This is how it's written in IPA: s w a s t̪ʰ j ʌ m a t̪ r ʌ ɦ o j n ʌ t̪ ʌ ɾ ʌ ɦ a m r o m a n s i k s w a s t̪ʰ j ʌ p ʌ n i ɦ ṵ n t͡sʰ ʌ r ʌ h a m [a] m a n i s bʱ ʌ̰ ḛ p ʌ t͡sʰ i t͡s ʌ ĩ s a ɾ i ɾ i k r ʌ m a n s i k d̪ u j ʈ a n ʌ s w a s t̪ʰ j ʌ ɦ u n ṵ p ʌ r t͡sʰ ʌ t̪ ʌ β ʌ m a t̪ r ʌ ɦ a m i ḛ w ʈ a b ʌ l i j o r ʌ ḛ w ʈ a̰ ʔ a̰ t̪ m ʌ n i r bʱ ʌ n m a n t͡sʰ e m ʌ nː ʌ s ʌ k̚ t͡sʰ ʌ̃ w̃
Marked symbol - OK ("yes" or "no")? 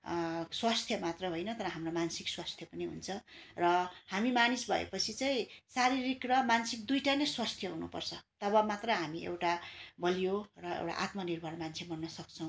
no